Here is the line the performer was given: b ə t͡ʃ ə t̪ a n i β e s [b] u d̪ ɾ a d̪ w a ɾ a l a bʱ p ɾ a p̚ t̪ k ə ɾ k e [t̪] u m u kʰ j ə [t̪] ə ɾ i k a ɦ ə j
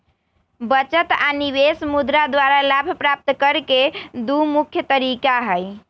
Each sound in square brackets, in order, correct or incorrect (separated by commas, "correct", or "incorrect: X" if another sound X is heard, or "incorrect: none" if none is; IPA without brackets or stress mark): incorrect: m, incorrect: d̪, correct